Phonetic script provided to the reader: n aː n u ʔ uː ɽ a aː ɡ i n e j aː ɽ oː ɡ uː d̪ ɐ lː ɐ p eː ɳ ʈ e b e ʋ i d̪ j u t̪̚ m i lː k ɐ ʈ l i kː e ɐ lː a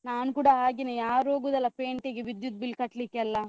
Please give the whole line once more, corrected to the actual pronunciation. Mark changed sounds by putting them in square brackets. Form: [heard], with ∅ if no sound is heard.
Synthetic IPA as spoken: n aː n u [k] uː ɽ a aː ɡ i n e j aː [ɾ] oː ɡ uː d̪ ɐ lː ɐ p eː ɳ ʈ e [ɡ] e ʋ i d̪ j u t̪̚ [b] i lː k ɐ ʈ l i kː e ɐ lː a